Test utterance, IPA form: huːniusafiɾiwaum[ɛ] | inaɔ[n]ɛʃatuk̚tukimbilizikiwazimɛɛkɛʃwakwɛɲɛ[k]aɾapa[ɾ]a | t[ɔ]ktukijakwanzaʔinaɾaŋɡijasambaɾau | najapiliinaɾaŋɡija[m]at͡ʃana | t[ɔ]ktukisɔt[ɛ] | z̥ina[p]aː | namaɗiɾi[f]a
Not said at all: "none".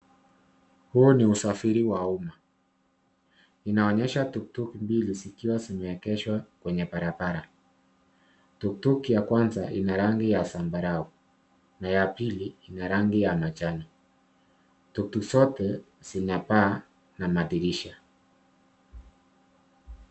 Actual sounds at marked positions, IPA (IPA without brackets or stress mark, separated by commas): a, ɲ, p, ɾ, u, m, u, ɛ, p, ʃ